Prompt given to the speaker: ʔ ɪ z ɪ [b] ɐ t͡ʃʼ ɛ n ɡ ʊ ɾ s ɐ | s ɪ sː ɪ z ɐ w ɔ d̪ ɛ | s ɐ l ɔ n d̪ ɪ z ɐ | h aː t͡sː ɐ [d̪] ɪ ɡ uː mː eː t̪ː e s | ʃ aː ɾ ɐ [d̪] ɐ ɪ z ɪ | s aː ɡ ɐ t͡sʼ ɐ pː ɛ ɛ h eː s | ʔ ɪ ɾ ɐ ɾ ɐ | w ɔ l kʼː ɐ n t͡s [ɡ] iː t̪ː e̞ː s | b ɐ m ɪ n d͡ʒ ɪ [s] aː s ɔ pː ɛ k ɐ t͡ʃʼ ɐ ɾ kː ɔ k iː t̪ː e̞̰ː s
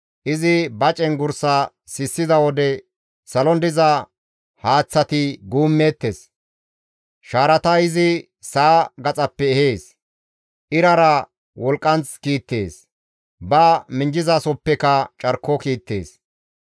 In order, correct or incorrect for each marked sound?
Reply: correct, incorrect, incorrect, incorrect, incorrect

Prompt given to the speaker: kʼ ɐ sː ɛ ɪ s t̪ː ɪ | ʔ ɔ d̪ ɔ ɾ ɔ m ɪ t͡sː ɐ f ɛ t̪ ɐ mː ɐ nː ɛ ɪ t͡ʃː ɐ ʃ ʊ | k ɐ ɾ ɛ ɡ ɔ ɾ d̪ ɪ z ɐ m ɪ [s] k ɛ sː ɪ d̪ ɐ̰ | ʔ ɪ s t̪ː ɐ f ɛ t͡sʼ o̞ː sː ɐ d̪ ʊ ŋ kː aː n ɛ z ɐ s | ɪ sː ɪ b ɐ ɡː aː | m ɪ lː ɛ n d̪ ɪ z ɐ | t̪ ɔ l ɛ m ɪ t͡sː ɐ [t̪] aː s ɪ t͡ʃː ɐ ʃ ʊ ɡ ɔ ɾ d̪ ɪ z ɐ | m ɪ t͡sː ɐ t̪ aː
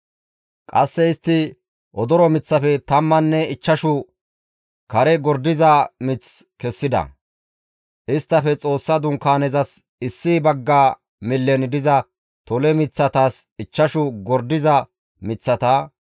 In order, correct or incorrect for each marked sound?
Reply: incorrect, correct

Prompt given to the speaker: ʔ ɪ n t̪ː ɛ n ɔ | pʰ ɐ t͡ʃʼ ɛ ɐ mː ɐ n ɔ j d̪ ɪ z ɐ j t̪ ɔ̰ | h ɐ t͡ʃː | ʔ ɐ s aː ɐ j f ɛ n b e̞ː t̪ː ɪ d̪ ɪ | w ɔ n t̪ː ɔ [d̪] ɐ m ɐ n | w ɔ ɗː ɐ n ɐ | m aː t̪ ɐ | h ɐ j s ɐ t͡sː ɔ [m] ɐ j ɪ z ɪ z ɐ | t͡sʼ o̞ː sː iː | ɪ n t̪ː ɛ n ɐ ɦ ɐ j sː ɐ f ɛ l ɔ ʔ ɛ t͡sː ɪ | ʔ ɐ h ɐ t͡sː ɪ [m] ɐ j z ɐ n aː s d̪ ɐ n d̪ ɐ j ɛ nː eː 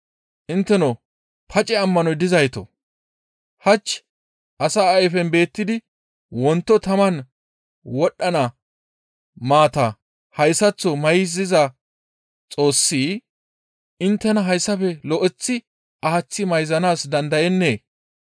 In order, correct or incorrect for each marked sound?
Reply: incorrect, correct, correct

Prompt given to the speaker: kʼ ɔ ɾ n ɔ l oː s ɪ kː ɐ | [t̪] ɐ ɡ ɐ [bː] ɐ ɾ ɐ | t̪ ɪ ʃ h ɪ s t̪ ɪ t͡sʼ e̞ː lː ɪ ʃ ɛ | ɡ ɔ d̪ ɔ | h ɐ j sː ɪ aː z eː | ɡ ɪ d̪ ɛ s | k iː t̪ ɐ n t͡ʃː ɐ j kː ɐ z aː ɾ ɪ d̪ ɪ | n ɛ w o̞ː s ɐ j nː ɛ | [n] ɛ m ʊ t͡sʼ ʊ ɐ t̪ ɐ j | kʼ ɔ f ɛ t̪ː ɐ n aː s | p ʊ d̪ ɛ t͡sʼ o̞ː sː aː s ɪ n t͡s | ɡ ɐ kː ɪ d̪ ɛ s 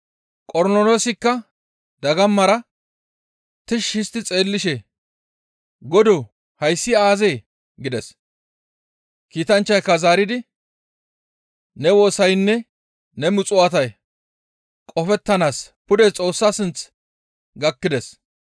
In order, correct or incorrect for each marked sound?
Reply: incorrect, incorrect, correct

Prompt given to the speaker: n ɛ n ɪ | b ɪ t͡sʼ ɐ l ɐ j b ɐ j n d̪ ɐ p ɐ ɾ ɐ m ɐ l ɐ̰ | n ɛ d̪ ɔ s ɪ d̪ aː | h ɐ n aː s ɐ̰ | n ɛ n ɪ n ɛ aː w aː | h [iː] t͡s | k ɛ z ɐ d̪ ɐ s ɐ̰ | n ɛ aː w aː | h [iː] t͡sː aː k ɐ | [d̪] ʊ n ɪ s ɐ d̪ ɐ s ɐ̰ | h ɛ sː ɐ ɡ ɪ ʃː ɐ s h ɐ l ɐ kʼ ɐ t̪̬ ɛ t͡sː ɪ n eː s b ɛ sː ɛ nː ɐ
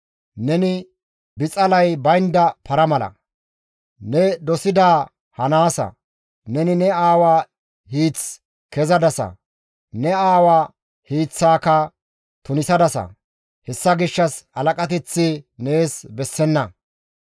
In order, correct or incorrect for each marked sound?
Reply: correct, correct, incorrect

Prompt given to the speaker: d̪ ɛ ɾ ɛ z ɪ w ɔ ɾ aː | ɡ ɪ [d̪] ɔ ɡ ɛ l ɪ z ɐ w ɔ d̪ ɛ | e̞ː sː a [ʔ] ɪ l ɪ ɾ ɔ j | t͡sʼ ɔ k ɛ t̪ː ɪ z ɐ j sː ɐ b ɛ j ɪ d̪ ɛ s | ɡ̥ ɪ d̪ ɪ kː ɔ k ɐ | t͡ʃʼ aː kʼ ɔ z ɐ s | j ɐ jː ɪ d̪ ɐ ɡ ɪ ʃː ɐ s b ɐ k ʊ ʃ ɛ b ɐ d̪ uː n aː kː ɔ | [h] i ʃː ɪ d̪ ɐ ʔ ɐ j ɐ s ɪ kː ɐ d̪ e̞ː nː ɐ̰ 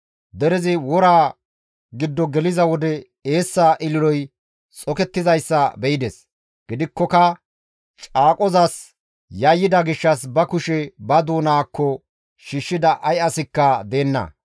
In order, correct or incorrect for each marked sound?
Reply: incorrect, correct, incorrect

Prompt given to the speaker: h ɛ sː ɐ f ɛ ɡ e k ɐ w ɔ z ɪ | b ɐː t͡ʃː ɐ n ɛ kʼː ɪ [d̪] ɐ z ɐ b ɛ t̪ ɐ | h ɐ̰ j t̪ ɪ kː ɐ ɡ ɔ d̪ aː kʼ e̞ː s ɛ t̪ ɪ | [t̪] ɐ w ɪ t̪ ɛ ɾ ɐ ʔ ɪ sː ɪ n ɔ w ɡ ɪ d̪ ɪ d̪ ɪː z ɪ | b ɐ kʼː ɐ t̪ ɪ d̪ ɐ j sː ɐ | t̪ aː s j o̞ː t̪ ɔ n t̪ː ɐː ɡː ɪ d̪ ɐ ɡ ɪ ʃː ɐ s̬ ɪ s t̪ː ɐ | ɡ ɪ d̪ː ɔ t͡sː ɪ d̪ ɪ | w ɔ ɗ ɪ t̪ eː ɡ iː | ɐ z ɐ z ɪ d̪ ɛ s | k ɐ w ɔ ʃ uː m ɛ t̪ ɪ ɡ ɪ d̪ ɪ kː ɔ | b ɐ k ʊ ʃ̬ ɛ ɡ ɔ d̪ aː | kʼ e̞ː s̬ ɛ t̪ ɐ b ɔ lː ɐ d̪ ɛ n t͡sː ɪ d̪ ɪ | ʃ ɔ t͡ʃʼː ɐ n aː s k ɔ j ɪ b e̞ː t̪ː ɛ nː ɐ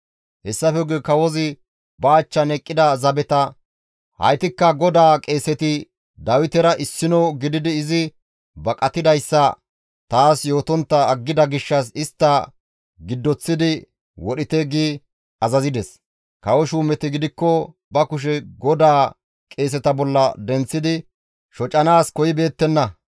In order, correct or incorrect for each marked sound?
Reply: correct, incorrect

